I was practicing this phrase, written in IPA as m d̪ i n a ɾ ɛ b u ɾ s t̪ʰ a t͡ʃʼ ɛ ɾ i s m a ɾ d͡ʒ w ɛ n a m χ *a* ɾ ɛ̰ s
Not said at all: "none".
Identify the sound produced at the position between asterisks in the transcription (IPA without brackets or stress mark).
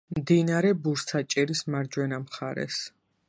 a